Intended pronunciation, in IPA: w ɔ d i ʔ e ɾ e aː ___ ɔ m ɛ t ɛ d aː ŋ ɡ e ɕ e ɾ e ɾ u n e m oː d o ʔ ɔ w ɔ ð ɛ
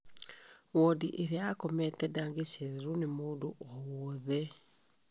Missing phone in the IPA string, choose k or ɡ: k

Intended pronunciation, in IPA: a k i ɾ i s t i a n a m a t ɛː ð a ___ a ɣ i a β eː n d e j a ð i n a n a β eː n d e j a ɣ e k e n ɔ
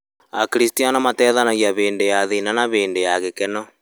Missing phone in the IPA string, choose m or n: n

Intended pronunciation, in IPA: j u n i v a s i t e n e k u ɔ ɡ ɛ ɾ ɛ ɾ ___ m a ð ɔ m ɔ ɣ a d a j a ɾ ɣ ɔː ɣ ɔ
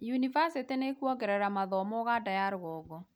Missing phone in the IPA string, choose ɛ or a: a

